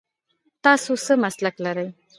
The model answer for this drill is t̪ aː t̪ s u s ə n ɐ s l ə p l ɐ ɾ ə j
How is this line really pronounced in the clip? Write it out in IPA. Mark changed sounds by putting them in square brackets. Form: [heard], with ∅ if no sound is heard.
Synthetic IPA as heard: t̪ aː [∅] s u s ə [m] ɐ s l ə [k] l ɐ ɾ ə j